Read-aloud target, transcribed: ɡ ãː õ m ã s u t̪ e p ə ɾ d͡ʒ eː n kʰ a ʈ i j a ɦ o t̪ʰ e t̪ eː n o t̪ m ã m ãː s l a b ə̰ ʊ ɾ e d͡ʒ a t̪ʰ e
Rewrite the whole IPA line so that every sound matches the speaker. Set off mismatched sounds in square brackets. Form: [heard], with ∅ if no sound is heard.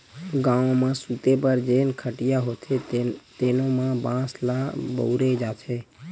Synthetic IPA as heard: ɡ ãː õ m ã s u t̪ e p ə ɾ d͡ʒ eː n kʰ [ə] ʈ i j a ɦ o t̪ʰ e t̪ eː n o [∅] m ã [b] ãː s l a b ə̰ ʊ ɾ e d͡ʒ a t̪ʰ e